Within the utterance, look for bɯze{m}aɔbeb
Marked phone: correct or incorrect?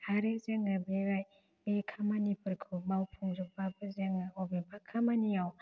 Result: incorrect